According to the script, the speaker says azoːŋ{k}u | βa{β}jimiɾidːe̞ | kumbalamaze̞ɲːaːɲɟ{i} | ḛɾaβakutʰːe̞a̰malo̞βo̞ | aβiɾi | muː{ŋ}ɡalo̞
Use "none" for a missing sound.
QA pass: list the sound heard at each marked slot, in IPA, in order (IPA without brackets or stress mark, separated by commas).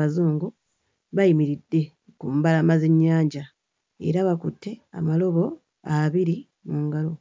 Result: ɡ, none, a, ŋ